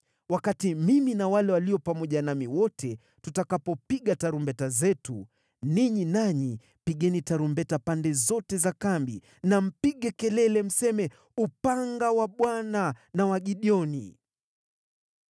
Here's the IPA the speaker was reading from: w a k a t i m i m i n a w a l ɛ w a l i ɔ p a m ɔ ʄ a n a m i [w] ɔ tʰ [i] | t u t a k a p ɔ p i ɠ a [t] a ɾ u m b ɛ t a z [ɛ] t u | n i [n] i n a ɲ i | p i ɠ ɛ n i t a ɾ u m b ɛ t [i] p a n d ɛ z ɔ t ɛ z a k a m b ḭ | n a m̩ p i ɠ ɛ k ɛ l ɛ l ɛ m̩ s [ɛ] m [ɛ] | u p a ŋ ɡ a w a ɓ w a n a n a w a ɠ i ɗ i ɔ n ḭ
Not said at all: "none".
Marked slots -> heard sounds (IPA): w, ɛ, t, ɛ, ɲ, a, ɛ, ɛ

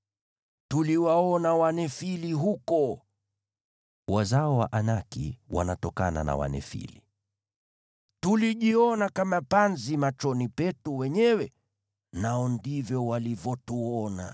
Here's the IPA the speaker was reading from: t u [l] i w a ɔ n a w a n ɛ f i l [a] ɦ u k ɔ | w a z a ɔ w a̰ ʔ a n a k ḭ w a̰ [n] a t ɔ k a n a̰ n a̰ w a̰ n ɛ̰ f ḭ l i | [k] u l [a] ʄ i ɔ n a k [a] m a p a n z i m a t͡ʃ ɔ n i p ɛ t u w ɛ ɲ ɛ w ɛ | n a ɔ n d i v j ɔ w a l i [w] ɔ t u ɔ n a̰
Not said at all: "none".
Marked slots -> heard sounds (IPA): l, i, n, t, i, a, v

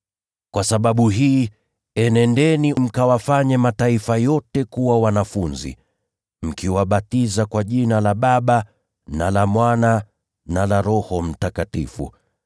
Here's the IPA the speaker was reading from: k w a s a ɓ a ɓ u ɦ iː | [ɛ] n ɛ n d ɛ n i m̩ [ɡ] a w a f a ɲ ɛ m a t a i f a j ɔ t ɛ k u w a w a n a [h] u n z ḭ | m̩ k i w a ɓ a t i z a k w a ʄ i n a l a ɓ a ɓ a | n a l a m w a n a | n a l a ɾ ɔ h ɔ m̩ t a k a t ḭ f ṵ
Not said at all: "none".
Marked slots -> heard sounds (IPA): ɛ, k, f

